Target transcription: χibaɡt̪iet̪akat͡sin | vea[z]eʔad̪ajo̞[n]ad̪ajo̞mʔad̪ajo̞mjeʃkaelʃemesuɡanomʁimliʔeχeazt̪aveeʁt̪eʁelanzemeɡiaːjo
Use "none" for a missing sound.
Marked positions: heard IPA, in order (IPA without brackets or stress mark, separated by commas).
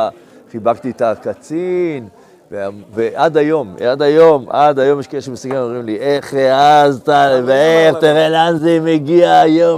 v, m